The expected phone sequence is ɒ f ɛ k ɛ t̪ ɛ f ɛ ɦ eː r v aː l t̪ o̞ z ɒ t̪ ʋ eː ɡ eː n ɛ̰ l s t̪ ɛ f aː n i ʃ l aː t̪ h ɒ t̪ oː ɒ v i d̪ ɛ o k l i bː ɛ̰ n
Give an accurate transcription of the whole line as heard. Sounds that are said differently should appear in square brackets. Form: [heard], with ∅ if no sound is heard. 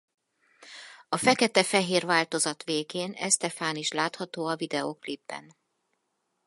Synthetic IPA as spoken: ɒ f ɛ k ɛ t̪ ɛ f ɛ ɦ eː r v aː l t̪ o̞ z ɒ t̪ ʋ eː ɡ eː n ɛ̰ [∅] s t̪ ɛ f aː n i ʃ l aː t̪ h ɒ t̪ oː ɒ v i d̪ ɛ o k l i bː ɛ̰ n